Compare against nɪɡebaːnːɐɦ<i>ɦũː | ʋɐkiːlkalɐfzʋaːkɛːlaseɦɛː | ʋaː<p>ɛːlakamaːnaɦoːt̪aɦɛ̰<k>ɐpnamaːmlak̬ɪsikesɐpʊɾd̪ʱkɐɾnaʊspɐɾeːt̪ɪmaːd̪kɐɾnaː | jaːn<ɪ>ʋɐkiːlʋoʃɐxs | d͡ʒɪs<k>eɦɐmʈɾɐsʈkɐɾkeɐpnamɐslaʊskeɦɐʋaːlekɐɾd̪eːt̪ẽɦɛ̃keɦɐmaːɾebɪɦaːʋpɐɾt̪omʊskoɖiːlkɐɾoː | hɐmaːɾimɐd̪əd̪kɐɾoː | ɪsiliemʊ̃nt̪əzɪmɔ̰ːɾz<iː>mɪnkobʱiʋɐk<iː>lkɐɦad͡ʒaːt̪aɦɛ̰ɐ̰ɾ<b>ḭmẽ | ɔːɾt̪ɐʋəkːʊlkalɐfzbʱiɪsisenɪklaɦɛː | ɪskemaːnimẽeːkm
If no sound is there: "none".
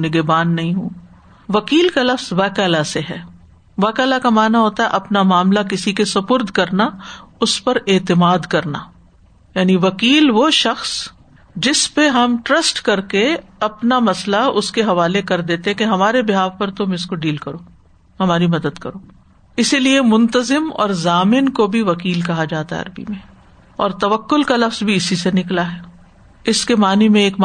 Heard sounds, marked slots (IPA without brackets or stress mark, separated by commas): ĩ, k, ʔ, i, p, aː, iː, b